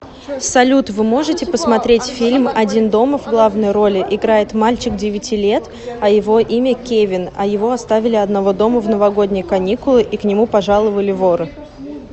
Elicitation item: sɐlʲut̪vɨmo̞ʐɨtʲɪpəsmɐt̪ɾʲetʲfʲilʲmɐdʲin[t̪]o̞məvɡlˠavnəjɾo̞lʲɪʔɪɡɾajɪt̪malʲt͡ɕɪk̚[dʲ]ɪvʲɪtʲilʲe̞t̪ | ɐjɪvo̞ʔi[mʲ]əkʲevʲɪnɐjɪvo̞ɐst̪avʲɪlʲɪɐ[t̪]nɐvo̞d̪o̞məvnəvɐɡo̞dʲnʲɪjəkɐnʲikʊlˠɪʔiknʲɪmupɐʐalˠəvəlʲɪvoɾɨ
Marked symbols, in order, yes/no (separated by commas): no, yes, yes, no